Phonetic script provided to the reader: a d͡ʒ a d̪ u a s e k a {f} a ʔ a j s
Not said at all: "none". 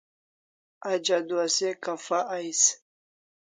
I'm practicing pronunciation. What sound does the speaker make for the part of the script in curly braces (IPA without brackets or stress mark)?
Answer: f